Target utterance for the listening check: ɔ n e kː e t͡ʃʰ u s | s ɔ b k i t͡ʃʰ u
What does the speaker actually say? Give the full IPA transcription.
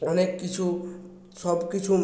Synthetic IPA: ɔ n e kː i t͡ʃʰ u | s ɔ b k i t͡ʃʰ u